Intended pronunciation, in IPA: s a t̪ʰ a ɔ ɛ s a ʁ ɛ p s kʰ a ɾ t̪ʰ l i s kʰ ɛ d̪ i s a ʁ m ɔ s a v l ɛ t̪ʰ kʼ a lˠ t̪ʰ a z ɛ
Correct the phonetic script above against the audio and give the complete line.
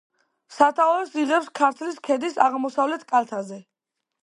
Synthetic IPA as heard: s a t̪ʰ a ɔ ɛ s i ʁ ɛ p s kʰ a ɾ t̪ʰ l i s kʰ ɛ d̪ i s a ʁ m ɔ s a v l ɛ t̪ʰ kʼ a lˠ t̪ʰ a z ɛ